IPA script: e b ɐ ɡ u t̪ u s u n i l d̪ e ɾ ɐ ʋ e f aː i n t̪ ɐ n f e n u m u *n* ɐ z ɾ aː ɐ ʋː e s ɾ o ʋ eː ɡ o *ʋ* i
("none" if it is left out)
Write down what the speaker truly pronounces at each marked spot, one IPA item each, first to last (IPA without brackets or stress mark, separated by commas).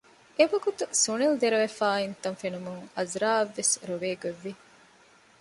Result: ŋ, ʋː